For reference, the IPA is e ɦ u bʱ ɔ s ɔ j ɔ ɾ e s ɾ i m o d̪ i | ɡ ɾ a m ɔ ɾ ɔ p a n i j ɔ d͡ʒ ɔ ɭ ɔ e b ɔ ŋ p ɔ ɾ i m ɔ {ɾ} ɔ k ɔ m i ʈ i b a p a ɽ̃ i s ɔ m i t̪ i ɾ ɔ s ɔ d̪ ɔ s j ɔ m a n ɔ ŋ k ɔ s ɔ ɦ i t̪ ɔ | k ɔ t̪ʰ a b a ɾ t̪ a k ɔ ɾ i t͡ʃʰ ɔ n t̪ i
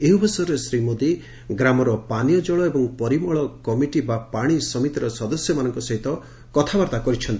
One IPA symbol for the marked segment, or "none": ɭ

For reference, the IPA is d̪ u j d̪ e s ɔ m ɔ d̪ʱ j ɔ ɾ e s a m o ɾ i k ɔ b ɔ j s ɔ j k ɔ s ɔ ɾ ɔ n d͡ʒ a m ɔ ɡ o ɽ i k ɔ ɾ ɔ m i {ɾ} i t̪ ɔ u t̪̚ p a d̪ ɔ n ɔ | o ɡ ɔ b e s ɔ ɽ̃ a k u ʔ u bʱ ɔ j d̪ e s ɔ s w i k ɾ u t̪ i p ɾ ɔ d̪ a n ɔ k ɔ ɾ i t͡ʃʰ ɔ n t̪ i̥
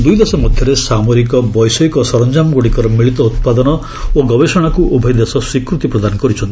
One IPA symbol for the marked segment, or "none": ɭ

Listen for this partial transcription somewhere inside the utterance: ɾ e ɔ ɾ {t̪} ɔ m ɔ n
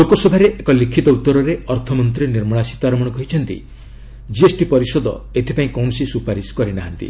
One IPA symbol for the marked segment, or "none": t̪ʰ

